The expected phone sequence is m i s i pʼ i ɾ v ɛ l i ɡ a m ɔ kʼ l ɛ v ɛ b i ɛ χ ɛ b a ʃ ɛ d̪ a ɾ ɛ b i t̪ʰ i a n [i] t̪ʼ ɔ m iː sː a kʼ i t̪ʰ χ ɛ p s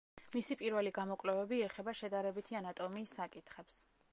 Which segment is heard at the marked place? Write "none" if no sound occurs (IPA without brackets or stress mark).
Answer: a